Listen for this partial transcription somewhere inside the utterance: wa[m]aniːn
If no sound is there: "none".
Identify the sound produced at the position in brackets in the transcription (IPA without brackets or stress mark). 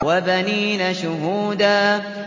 b